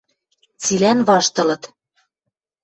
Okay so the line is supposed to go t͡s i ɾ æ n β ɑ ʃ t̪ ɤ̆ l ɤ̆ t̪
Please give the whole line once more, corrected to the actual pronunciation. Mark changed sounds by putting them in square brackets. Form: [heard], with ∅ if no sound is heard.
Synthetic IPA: t͡s i [l] æ n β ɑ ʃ t̪ ɤ̆ l ɤ̆ t̪

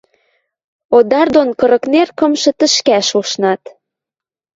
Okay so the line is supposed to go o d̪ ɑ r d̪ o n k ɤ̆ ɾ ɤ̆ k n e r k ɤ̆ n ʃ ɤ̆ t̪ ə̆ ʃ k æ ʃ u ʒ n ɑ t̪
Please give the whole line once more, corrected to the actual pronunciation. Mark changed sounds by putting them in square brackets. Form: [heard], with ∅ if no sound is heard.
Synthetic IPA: o d̪ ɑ r d̪ o n k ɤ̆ ɾ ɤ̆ k n e r k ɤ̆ [m] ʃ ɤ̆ t̪ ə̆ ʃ k æ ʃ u [ʃ] n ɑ t̪

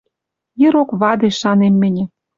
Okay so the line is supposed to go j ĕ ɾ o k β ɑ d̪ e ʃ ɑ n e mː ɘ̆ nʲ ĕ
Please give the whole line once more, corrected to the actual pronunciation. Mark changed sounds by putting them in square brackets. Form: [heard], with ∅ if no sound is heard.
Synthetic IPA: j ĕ ɾ o k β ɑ d̪ e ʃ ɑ n e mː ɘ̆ nʲ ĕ

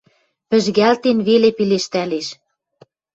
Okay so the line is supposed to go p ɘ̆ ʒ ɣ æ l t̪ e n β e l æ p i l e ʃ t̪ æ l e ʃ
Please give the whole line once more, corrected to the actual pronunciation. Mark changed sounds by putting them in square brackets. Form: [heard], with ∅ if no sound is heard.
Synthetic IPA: p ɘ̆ ʒ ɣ æ l t̪ e n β e l [e] p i l e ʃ t̪ æ l e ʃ

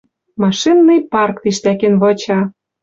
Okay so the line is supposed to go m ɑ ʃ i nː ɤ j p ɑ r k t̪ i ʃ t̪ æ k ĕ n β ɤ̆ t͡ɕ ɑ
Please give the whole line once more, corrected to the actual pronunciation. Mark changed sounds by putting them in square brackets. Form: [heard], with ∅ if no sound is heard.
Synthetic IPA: m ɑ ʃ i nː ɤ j p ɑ r k t̪ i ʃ t̪ æ k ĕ n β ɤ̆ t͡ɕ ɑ

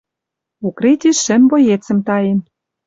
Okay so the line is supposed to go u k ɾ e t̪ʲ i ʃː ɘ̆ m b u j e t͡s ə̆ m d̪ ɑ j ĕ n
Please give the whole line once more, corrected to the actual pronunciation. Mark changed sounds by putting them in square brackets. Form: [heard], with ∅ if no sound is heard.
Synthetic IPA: u k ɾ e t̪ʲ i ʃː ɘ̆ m b [o] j e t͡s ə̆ m [t̪] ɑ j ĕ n

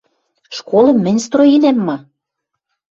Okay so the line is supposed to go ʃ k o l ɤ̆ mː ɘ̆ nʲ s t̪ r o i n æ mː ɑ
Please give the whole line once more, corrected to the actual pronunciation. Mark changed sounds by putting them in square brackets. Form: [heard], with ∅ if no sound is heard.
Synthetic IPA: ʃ k o l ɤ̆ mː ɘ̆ nʲ s t̪ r o i n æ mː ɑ

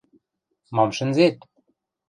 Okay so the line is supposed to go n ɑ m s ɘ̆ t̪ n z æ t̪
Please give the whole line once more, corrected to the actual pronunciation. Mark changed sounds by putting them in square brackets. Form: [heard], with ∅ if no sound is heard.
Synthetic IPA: [m] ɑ m [ʃ] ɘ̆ [∅] n z [e] t̪

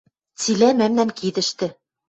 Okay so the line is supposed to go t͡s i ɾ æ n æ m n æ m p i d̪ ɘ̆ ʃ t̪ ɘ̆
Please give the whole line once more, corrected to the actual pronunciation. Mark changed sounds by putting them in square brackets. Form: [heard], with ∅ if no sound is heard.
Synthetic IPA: t͡s i [l] æ [m] æ m n æ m [k] i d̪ ɘ̆ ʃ t̪ ɘ̆

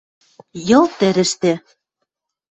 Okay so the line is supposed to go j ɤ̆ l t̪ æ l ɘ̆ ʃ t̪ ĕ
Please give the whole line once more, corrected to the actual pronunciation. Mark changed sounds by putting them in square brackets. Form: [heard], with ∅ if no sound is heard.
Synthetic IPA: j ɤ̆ l t̪ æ [ɾ] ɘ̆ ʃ t̪ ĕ

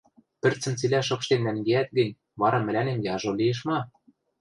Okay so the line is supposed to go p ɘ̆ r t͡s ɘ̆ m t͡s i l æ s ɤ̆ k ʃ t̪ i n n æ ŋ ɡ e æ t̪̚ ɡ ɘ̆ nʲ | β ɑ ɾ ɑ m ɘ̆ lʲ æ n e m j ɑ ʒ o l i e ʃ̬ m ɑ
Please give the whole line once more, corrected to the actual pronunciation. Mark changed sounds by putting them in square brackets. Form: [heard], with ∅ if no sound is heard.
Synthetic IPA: p ɘ̆ r t͡s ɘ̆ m t͡s i l æ [ʃ] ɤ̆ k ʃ t̪ [e] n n æ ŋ ɡ e æ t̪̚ ɡ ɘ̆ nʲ | β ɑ ɾ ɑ m ɘ̆ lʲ æ n e m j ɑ ʒ o l i e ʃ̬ m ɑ

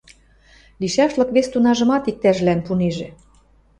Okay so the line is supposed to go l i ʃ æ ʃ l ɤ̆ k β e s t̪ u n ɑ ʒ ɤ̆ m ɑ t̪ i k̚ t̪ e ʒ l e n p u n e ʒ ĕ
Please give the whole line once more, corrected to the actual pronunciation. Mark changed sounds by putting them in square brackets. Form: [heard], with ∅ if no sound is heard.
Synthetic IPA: l i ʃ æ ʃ l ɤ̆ k β e s t̪ u n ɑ ʒ ɤ̆ m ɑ t̪ i k̚ t̪ [æ] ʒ l [æ] n p u n e ʒ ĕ

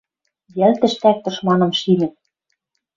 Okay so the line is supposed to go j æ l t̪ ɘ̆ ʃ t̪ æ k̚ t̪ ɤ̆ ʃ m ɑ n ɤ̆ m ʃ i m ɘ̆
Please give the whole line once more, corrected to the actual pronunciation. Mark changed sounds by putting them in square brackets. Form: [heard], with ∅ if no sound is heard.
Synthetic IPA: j æ l t̪ ɘ̆ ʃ t̪ æ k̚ t̪ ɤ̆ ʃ m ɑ n ɤ̆ m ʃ i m ɘ̆

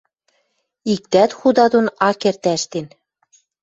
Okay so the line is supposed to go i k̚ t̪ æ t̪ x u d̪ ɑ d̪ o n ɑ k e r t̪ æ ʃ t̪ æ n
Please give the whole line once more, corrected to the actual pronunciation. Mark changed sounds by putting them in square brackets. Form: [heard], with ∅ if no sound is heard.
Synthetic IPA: i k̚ t̪ æ t̪ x u d̪ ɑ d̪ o n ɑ k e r t̪ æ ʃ t̪ [e] n

